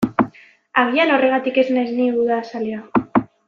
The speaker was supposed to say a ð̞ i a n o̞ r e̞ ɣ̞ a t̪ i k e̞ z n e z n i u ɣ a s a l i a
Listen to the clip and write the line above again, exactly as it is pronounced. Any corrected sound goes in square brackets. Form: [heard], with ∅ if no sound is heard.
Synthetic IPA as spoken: a [ɣ̞] i a n o̞ r e̞ ɣ̞ a t̪ i k e̞ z n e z n i u [ð] a s a l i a